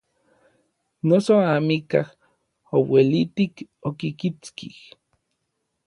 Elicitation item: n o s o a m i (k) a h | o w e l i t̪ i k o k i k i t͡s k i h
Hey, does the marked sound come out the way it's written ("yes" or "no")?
yes